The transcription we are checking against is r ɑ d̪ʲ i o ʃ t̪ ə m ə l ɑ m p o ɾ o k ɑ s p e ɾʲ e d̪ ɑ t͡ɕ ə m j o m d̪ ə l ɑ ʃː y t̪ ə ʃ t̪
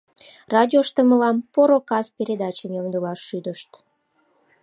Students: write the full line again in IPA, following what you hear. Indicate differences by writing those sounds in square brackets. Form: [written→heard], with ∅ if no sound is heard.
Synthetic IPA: r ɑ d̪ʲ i o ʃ t̪ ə m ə l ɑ m p o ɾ o k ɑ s p e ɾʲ e d̪ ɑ t͡ɕ ə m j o m d̪ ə l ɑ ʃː y [t̪→d̪] ə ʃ t̪